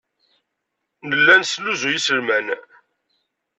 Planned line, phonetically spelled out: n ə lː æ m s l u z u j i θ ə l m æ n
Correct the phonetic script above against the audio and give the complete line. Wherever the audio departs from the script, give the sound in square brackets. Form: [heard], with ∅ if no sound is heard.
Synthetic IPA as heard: n ə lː æ [n] s l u z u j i [s] ə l m æ n